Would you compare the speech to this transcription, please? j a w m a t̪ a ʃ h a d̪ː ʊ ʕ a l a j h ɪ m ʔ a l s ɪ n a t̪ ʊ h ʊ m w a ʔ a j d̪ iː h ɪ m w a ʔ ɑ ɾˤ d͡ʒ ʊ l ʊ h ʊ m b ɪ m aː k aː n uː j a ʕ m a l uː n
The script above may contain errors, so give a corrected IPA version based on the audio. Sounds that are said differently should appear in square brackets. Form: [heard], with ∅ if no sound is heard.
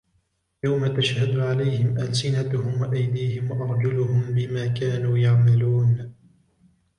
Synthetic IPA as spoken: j a w m a t̪ a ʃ h a [d̪] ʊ ʕ a l a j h ɪ m ʔ a l s ɪ n a t̪ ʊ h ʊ m w a ʔ a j d̪ iː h ɪ m w a ʔ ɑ ɾˤ d͡ʒ ʊ l ʊ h ʊ m b ɪ m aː k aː n uː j a ʕ m a l uː n